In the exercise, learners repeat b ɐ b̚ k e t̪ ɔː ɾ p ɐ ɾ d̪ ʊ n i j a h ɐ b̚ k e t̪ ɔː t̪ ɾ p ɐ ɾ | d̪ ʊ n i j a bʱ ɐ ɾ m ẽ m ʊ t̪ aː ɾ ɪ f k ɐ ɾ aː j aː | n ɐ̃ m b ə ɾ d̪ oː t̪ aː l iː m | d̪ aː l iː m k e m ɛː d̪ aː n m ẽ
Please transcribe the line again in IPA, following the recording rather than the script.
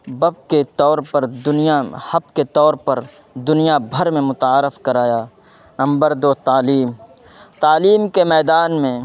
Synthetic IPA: b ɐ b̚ k e t̪ ɔː ɾ p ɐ ɾ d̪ ʊ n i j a h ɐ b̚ k e t̪ ɔː ɾ p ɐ ɾ | d̪ ʊ n i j a bʱ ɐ ɾ m ẽ m ʊ t̪ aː ɾ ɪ f k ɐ ɾ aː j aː | n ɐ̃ m b ə ɾ d̪ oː t̪ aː l iː m | t̪ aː l iː m k e m ɛː d̪ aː n m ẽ